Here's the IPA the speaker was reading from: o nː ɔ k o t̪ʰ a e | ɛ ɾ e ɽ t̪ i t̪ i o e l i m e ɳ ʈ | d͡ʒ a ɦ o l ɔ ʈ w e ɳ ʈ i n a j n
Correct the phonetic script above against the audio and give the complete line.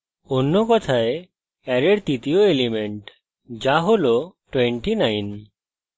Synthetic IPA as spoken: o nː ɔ k ɔ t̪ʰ a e | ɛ ɾ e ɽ t̪ i t̪ i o e l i m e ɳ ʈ | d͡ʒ a ɦ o l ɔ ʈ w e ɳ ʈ i n a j n